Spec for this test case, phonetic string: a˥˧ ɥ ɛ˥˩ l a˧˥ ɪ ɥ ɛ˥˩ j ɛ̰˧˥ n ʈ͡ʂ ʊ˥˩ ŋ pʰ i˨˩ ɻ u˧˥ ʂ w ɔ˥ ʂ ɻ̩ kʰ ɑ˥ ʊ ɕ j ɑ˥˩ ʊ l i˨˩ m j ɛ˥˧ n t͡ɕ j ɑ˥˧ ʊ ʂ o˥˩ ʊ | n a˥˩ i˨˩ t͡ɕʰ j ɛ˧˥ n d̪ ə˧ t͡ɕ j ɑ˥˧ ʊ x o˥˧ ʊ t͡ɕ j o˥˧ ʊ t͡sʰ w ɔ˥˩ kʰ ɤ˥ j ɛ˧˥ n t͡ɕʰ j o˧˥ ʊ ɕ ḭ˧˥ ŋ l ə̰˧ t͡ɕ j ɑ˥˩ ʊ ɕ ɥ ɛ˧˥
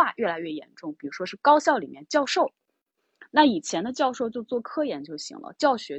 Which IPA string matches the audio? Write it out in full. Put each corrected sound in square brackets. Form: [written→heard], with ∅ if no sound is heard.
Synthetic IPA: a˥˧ ɥ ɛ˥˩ l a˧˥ ɪ ɥ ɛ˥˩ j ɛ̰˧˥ n ʈ͡ʂ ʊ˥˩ ŋ [pʰ→p] i˨˩ ɻ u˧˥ ʂ w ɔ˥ ʂ ɻ̩ [kʰ→k] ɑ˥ ʊ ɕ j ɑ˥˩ ʊ l i˨˩ m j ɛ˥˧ n t͡ɕ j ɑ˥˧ ʊ ʂ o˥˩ ʊ | n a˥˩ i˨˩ t͡ɕʰ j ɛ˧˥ n d̪ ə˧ t͡ɕ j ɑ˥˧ ʊ [x→ʂ] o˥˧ ʊ t͡ɕ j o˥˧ ʊ [t͡sʰ→t͡s] w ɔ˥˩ kʰ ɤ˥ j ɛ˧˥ n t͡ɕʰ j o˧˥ ʊ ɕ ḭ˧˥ ŋ l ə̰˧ t͡ɕ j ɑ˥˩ ʊ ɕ ɥ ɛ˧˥